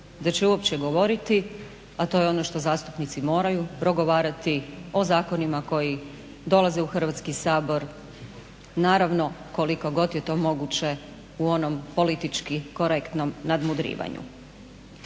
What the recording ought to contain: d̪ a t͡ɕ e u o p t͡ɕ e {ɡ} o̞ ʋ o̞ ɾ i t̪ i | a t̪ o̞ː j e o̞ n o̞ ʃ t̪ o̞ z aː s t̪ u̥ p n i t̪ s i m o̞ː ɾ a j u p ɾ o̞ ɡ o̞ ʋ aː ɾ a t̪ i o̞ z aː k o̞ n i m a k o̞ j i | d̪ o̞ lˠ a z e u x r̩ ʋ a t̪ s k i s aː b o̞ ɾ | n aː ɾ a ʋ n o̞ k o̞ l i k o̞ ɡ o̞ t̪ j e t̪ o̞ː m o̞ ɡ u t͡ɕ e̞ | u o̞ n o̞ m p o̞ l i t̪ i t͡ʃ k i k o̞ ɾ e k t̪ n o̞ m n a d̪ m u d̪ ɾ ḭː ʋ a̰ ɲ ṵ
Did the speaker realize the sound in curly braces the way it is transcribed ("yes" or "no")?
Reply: yes